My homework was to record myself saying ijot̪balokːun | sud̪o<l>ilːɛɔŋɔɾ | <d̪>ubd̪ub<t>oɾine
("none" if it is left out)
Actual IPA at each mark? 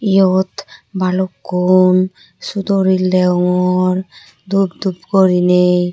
ɾ, d̪, k

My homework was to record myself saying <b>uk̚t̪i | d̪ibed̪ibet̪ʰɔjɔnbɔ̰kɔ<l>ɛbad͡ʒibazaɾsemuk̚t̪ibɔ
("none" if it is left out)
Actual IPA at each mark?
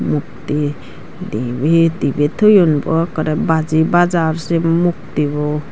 m, ɾ

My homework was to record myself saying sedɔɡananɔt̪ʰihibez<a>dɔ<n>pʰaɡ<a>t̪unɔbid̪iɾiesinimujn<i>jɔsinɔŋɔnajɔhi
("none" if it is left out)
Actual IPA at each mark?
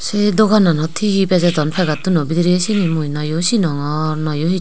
a, n, a, a

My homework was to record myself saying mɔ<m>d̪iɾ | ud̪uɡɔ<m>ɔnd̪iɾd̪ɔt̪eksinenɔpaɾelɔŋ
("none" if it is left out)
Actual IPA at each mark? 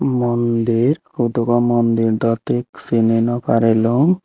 n, m

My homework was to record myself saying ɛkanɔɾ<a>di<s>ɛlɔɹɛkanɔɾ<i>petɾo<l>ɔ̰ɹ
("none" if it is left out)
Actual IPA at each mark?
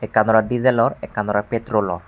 a, z, a, l

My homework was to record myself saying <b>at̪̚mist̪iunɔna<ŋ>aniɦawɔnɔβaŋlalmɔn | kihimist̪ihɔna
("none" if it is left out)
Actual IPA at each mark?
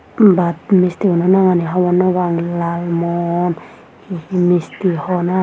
b, ŋ

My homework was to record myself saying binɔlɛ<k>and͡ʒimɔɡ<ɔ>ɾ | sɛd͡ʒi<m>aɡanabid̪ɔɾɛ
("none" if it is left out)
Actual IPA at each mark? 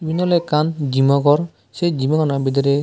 k, ɔ, m

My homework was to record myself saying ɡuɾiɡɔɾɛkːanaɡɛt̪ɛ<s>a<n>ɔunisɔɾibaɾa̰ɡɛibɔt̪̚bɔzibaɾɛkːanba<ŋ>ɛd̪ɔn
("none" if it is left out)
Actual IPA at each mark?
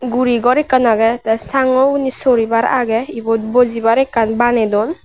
s, ŋ, n

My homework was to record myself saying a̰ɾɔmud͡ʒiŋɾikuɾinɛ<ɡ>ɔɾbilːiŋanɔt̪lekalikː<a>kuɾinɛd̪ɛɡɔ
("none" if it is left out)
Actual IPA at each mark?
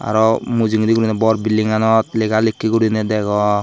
b, i

